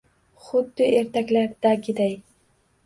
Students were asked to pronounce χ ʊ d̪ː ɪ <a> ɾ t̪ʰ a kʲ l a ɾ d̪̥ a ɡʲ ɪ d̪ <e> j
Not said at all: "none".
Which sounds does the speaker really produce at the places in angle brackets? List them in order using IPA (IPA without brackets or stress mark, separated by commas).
e, a